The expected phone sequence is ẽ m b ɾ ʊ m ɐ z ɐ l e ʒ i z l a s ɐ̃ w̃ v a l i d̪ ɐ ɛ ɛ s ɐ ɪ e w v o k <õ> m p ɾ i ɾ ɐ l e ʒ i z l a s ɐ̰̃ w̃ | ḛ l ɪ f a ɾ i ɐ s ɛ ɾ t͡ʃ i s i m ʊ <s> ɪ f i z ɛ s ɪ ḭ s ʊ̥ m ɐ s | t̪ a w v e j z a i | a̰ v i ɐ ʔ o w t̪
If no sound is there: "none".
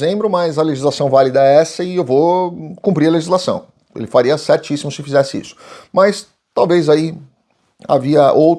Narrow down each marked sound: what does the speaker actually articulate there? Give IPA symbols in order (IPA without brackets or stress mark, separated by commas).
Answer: ũ, s